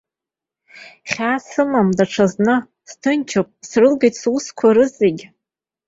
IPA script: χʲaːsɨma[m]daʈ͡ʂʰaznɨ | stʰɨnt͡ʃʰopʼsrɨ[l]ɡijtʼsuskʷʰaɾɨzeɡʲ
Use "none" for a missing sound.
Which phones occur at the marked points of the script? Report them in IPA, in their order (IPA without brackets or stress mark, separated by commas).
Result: m, l